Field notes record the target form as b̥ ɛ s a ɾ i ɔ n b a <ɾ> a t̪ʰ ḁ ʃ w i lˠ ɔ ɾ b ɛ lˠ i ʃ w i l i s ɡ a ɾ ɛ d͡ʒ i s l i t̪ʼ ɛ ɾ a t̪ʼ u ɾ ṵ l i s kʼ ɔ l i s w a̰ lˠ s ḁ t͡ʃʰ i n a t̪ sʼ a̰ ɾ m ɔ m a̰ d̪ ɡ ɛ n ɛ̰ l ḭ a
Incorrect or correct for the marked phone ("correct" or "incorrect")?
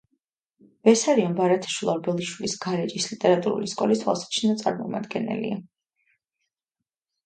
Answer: correct